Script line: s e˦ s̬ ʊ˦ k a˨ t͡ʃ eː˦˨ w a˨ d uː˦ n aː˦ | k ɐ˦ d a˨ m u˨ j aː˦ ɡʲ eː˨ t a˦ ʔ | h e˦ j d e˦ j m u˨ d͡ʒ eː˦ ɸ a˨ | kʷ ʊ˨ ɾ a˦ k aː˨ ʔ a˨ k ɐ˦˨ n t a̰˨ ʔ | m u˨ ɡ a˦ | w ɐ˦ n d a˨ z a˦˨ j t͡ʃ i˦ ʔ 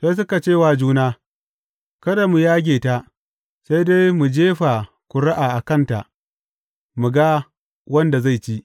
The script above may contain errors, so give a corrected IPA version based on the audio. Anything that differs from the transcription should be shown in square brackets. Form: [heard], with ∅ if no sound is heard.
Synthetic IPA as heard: s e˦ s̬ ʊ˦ k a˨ t͡ʃ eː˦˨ w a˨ [d͡ʒ] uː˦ n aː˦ | k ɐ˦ d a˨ m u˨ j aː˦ ɡʲ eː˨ t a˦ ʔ | [s] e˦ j d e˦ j m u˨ d͡ʒ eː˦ ɸ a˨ | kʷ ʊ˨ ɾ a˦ [ʔ] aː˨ ʔ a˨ k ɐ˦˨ n t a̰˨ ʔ | m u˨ ɡ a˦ | w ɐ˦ n d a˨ z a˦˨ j t͡ʃ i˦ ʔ

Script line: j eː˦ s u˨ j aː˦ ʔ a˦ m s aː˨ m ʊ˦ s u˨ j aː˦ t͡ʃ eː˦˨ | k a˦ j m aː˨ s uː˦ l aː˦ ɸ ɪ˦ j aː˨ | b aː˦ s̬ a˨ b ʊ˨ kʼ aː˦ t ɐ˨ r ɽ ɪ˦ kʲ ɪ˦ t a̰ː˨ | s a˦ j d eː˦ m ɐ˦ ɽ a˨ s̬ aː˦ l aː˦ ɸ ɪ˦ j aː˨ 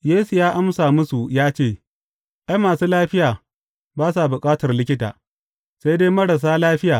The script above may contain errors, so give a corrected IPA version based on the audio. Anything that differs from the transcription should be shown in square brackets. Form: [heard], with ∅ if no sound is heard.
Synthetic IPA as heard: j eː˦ s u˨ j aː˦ ʔ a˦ m s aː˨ m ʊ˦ s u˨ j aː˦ t͡ʃ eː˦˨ | [ʔ] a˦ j m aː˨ s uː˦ l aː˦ ɸ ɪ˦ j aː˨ | b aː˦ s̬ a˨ b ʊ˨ kʼ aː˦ t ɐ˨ r [l] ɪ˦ kʲ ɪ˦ t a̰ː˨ | s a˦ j d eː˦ m ɐ˦ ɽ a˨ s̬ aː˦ l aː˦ ɸ ɪ˦ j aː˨

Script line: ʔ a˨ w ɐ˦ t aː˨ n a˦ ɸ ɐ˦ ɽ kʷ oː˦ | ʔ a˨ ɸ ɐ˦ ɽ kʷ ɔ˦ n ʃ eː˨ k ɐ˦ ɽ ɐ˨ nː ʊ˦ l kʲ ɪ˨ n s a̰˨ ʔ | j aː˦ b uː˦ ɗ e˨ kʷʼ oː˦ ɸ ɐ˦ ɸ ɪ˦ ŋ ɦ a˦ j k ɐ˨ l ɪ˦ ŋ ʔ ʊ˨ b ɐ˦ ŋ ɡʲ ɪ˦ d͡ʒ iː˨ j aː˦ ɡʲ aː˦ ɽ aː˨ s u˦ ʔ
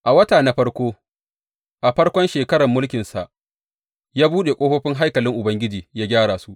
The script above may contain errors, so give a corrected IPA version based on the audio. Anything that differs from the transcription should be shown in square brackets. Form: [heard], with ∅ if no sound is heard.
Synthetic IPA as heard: ʔ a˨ w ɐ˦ t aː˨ n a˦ ɸ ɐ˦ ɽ kʷ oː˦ | ʔ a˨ ɸ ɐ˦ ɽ kʷ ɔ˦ n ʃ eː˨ k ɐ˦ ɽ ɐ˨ [mː] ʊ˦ l kʲ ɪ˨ n s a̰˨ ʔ | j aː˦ b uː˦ ɗ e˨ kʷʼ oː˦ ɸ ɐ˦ ɸ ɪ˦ ŋ ɦ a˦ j k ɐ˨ l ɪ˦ ŋ ʔ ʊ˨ b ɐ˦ ŋ ɡʲ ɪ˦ d͡ʒ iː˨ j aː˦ ɡʲ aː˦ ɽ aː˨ s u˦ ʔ

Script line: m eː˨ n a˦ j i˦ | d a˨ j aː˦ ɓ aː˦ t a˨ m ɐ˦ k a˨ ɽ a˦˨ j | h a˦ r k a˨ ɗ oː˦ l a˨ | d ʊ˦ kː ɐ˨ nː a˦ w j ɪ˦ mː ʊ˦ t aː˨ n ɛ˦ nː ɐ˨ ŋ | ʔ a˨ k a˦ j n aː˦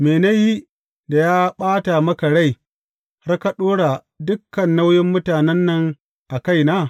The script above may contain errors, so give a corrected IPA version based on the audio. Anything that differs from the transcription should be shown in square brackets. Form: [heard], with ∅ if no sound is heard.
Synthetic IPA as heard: m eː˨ n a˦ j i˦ | d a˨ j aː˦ ɓ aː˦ t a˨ m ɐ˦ k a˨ ɽ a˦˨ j | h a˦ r k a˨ ɗ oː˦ [ɽ] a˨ | d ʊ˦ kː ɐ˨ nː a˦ w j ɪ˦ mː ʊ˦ t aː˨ n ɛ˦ nː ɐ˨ ŋ | ʔ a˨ k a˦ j n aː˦

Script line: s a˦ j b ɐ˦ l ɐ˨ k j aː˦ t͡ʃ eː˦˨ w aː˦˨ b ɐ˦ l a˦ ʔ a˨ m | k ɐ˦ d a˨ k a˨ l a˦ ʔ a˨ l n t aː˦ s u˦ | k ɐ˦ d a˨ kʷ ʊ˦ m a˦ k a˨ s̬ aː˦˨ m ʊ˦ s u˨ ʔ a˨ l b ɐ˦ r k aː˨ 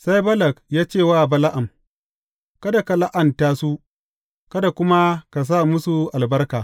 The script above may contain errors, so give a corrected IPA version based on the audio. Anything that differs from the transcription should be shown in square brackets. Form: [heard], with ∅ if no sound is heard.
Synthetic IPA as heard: s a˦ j b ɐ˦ l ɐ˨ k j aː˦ t͡ʃ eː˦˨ w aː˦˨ b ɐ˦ l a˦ ʔ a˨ m | k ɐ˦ d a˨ k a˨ l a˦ ʔ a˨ [∅] n t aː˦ s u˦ | k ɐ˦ d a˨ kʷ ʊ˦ m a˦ k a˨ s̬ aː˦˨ m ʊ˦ s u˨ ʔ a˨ l b ɐ˦ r k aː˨

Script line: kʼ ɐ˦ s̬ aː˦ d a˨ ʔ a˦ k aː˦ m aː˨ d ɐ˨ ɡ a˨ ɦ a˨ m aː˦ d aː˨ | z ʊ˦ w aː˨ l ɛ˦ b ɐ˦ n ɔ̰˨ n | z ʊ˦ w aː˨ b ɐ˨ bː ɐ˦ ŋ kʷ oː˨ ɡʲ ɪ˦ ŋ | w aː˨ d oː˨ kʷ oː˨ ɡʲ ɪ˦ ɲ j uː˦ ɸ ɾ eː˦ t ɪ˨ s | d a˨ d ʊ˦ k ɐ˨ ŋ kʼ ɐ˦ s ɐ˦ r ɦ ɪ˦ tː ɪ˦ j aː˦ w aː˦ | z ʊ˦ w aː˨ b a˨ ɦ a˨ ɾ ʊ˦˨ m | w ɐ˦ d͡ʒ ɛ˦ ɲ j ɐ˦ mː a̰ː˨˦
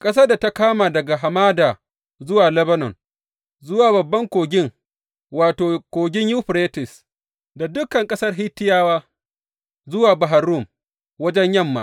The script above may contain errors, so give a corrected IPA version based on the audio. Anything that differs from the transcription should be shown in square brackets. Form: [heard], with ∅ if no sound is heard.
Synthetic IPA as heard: kʼ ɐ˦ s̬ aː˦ d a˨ [t] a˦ k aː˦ m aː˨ d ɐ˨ ɡ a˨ ɦ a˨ m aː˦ d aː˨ | z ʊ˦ w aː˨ l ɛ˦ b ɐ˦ n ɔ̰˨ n | z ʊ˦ w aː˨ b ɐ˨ bː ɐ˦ ŋ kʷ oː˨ ɡʲ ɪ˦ ŋ | w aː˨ [t] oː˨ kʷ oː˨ ɡʲ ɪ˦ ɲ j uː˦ ɸ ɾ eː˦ t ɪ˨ s | d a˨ d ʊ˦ k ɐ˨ ŋ kʼ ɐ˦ s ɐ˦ r ɦ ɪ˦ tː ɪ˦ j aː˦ w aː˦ | z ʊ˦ w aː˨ b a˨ ɦ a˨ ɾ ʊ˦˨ m | w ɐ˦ d͡ʒ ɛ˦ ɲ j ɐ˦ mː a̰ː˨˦

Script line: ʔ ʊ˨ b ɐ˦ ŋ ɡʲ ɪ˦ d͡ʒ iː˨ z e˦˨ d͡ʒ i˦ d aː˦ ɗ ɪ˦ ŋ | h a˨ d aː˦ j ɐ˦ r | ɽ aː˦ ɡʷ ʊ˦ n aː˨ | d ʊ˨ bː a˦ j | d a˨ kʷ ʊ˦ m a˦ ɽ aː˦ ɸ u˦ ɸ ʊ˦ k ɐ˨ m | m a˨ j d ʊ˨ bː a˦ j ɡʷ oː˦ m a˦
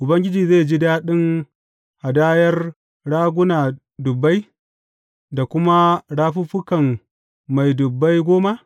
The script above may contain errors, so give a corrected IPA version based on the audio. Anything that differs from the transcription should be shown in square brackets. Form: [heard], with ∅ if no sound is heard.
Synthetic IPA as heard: ʔ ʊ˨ b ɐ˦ ŋ ɡʲ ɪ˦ d͡ʒ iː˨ z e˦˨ d͡ʒ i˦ d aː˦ ɗ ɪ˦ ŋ | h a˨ d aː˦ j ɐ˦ r | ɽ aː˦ ɡʷ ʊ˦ n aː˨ | d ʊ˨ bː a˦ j | d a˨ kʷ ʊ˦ m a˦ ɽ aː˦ ɸ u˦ ɸ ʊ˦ k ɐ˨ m | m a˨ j d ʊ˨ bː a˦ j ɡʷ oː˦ m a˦

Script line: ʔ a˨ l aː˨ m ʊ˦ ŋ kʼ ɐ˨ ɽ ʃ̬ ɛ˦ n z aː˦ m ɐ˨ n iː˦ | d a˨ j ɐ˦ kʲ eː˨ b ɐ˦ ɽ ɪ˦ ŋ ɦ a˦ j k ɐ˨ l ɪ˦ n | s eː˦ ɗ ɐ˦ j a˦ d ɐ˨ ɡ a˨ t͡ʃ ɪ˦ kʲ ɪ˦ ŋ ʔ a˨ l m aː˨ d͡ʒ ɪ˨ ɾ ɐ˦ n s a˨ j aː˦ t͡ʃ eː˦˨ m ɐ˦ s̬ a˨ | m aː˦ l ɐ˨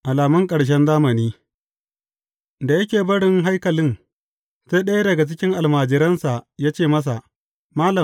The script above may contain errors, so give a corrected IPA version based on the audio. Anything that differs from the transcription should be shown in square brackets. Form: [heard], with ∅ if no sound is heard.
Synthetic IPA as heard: ʔ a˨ l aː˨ m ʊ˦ ŋ kʼ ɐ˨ ɽ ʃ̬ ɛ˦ n z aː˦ m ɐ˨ n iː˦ | d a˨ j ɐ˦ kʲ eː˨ b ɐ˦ ɽ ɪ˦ ŋ ɦ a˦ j k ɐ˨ l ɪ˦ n | s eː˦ ɗ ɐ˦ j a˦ d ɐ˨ ɡ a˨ t͡ʃ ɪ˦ kʲ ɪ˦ ŋ ʔ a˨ l m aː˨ d͡ʒ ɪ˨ ɾ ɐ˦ n s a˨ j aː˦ t͡ʃ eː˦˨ m ɐ˦ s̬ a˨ | m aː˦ l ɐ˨

